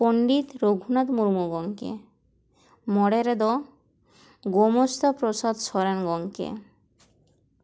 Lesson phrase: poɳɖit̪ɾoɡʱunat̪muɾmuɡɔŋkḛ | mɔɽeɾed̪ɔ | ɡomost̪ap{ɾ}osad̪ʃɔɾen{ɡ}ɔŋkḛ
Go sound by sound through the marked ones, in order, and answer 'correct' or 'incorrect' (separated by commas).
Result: correct, correct